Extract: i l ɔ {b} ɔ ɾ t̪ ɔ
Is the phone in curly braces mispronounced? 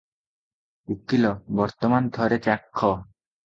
no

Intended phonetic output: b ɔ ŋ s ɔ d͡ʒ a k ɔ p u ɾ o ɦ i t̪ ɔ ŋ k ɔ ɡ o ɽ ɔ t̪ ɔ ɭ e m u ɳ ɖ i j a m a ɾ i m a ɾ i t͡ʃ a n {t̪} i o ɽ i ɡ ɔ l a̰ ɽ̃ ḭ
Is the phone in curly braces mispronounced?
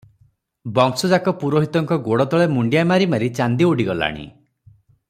yes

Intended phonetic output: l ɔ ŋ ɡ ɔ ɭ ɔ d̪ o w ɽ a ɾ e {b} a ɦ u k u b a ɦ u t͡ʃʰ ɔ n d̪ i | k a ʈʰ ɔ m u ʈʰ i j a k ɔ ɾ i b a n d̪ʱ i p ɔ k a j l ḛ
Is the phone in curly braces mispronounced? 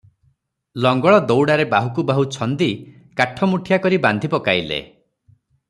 no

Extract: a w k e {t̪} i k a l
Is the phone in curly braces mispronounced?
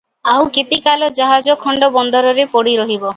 no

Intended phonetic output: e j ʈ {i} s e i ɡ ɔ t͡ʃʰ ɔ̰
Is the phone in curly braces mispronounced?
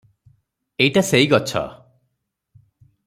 yes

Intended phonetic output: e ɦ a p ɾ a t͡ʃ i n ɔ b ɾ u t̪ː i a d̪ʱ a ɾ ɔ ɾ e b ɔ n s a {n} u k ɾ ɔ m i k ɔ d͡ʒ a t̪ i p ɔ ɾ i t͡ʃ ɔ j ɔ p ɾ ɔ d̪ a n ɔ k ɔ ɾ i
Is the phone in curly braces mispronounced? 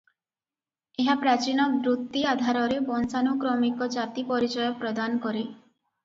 no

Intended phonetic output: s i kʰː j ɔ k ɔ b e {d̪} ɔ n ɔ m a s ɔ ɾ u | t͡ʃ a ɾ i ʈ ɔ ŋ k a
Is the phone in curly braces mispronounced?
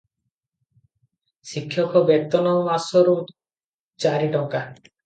yes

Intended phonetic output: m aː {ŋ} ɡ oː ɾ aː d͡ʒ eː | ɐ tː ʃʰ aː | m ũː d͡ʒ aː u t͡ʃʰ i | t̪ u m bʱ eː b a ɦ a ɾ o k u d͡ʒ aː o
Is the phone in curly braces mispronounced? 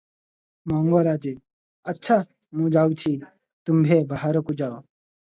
no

